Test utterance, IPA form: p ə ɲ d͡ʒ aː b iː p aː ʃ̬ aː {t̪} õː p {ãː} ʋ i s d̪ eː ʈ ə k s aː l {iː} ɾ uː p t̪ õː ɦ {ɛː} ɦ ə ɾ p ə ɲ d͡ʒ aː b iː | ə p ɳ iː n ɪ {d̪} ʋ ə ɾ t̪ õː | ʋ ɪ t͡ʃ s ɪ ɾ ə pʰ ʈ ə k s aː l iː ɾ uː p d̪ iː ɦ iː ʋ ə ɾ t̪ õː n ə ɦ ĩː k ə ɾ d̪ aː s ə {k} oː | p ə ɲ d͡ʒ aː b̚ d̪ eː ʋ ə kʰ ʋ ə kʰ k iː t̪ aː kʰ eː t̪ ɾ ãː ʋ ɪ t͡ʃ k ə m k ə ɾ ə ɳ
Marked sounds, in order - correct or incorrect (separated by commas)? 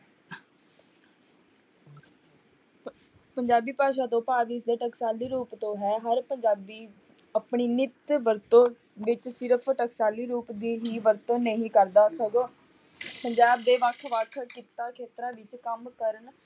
correct, incorrect, correct, correct, incorrect, incorrect